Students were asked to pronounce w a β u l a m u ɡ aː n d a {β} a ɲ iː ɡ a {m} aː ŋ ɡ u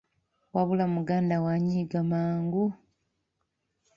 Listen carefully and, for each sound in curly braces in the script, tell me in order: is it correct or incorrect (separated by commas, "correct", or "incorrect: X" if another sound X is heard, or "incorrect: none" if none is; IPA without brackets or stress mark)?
incorrect: w, correct